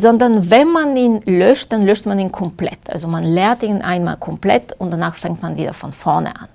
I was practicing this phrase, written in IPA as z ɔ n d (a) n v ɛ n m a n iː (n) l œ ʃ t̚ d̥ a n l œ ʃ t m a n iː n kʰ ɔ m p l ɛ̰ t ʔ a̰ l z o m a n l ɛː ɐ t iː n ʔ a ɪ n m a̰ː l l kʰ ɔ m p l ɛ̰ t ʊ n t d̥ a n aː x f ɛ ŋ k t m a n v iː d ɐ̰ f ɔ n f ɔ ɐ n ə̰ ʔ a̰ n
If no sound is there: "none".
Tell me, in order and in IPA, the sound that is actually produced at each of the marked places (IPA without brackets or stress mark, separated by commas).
ɐ, n